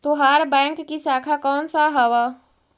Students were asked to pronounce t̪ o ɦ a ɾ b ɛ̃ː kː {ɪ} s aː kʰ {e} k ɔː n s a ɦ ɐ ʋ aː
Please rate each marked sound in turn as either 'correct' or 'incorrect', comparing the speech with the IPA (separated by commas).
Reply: incorrect, incorrect